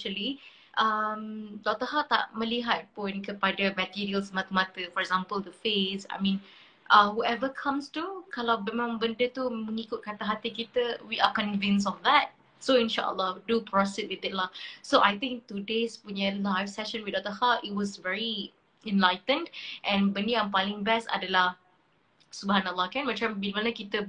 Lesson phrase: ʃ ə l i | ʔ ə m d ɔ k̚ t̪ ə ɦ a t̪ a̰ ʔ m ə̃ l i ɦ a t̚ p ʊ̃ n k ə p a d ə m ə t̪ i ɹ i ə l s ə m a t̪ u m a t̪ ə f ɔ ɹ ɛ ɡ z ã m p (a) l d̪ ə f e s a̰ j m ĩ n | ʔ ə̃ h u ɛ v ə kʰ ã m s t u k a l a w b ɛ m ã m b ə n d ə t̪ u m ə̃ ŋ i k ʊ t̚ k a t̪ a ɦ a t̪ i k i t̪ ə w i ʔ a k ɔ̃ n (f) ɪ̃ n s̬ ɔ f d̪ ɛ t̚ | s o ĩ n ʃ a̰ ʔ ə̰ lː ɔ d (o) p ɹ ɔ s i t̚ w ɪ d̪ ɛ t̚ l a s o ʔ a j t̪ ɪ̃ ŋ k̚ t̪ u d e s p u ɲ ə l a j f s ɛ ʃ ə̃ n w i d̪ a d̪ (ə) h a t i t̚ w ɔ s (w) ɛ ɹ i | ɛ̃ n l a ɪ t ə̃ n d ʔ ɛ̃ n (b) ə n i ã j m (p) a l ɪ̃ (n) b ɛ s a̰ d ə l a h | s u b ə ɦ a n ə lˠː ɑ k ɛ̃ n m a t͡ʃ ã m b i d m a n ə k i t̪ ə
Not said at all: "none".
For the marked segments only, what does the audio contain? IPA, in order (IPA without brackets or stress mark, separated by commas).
ə, v, u, ə, v, b, p, ŋ